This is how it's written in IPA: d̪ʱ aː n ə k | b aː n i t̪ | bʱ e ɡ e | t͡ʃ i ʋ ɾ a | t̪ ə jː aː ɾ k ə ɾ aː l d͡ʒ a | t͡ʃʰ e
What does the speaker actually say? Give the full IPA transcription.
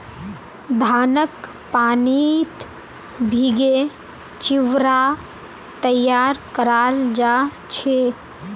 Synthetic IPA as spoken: d̪ʱ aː n ə k | p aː n i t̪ | bʱ i ɡ e | t͡ʃ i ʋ ɾ a | t̪ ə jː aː ɾ k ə ɾ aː l d͡ʒ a | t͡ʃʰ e